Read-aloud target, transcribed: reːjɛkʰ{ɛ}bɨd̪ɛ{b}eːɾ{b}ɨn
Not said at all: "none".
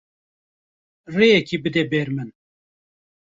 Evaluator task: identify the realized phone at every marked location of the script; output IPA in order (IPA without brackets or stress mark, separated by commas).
i, b, m